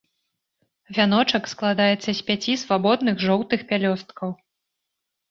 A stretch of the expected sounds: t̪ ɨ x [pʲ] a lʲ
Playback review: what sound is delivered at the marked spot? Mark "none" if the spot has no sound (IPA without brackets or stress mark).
pʲ